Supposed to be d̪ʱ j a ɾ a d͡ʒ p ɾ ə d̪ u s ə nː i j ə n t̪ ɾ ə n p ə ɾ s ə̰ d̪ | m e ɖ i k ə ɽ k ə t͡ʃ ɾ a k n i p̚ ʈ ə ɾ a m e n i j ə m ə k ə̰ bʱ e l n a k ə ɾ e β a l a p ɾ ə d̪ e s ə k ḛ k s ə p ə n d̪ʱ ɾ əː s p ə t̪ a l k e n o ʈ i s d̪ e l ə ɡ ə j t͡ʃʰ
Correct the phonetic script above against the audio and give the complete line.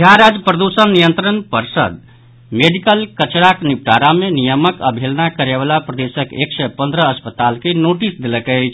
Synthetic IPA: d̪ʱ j a ɾ a d͡ʒ p ɾ ə d̪ u s ə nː i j ə n t̪ ɾ ə n p ə ɾ s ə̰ d̪ | m e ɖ i k ə l k ə t͡ʃ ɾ a k n i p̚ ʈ a ɾ a m e n i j ə m ə k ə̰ bʱ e l n a k ə ɾ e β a l a p ɾ ə d̪ e s ə k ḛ k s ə p ə n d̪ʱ ɾ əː s p ə t̪ a l k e n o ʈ i s d̪ e l ə k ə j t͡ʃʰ